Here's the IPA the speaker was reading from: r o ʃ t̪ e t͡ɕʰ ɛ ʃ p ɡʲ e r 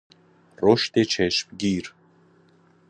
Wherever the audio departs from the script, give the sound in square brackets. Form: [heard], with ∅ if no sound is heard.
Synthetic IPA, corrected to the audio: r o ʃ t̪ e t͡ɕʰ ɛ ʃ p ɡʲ [i] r

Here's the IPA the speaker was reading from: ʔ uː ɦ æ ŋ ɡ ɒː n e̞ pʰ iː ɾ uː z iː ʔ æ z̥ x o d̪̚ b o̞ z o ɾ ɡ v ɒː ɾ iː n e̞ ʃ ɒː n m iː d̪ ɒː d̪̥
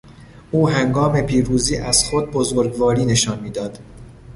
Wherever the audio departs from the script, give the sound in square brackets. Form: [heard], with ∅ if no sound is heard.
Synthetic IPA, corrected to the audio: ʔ uː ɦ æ ŋ ɡ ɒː [m] e̞ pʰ iː ɾ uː z iː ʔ æ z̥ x o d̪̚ b o̞ z o ɾ ɡ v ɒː ɾ iː n e̞ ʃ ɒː n m iː d̪ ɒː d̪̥

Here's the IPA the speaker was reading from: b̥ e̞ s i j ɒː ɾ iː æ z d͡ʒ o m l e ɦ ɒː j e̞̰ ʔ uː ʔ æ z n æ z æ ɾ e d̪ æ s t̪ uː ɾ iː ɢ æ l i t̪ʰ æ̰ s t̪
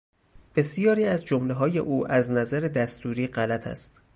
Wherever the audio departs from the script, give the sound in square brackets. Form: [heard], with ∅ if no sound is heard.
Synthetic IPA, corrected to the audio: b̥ e̞ s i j ɒː ɾ iː æ z d͡ʒ o m l e ɦ ɒː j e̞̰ ʔ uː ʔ æ z n æ z æ ɾ e d̪ æ s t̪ uː ɾ iː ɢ æ l [æ] t̪ʰ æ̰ s t̪

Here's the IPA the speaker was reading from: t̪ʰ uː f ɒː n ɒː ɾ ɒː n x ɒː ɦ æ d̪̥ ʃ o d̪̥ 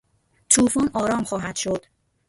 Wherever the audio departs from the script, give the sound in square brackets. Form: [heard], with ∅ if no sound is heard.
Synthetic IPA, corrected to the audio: t̪ʰ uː f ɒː n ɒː ɾ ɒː [m] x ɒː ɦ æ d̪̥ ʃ o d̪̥

